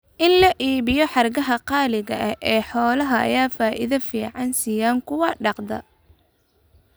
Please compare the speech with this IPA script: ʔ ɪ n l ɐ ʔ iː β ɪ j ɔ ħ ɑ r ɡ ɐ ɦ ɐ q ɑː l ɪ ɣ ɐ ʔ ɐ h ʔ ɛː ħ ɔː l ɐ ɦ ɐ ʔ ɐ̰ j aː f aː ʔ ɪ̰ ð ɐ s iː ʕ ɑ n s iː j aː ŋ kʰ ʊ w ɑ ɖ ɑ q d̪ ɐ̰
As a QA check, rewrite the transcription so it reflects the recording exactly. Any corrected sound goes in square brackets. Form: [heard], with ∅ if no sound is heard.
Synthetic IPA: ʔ ɪ n l ɐ ʔ iː β ɪ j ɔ ħ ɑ r ɡ ɐ ɦ ɐ q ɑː l ɪ ɣ ɐ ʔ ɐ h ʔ ɛː ħ ɔː l ɐ ɦ ɐ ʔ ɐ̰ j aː f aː ʔ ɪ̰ ð ɐ [f] iː ʕ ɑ n s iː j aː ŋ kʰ ʊ w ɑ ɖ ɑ q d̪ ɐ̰